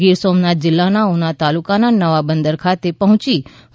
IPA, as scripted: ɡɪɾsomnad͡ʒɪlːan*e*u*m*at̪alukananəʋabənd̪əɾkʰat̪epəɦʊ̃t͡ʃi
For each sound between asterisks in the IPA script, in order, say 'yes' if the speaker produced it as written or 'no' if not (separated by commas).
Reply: no, no